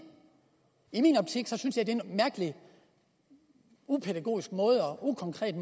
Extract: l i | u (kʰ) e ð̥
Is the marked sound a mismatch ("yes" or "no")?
yes